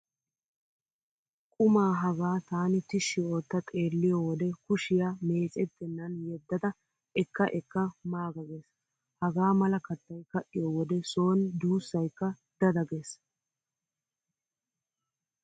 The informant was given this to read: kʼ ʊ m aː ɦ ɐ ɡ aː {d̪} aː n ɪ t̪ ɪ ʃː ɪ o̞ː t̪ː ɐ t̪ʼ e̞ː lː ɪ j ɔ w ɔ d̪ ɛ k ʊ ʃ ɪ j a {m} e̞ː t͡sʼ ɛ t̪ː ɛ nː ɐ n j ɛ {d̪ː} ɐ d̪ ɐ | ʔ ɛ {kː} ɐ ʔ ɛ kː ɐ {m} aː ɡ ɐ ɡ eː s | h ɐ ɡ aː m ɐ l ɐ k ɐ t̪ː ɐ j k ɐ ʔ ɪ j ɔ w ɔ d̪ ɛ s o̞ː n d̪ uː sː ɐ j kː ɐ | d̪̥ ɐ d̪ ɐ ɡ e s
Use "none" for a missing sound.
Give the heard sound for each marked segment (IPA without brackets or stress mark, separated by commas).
t̪, m, d̪ː, kː, m